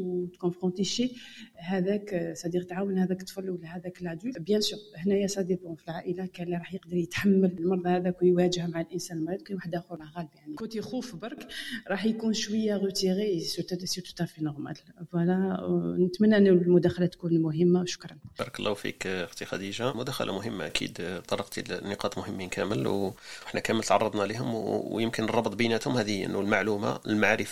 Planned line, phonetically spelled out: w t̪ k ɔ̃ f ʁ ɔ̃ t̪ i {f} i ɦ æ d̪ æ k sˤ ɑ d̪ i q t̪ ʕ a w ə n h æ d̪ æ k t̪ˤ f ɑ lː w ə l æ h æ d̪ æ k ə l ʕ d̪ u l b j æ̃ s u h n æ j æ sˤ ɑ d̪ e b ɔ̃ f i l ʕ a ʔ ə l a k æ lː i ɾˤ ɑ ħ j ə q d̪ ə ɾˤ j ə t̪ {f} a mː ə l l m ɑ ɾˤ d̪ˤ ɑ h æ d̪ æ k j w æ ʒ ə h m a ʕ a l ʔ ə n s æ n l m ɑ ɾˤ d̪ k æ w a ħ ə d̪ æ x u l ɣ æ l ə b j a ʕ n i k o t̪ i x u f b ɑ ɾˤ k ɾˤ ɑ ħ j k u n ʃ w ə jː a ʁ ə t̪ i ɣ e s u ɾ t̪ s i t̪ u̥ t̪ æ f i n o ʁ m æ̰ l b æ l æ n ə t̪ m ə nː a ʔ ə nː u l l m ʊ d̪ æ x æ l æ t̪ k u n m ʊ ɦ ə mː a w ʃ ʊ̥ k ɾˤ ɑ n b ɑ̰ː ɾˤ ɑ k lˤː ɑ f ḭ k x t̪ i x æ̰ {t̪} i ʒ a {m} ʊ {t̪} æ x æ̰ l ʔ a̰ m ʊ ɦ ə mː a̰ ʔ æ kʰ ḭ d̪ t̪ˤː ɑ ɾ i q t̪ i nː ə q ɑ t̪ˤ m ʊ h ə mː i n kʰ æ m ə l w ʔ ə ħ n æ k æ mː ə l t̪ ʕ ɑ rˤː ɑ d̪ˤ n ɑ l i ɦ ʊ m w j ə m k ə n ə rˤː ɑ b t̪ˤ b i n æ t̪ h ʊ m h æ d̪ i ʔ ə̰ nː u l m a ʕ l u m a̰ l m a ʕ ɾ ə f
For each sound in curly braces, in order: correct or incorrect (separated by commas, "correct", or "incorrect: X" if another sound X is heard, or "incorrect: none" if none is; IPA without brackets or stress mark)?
incorrect: ʃ, incorrect: ħ, incorrect: d̪, correct, incorrect: d̪